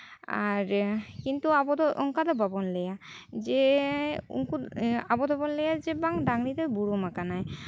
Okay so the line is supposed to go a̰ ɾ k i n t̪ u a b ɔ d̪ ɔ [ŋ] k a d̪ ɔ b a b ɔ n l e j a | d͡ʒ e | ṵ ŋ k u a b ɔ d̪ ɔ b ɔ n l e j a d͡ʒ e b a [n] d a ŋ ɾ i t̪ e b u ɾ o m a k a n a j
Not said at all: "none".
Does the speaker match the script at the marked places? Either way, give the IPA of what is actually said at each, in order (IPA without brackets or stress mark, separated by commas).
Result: ŋ, ŋ